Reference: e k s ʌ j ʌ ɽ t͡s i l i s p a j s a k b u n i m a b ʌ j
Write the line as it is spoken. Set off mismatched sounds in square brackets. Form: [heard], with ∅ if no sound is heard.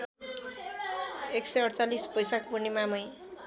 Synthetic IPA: e k s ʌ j ʌ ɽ t͡s [a] l i s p [ʌ] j s a k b u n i m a [m] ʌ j